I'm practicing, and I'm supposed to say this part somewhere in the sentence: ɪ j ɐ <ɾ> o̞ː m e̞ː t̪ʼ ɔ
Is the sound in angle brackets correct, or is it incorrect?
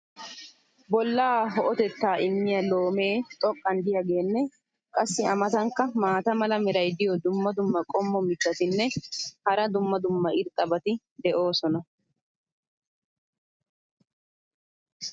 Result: incorrect